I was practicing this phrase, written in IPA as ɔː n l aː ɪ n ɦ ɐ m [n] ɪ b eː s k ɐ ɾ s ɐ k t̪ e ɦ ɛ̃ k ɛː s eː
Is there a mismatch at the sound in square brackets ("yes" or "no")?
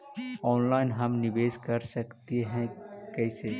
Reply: no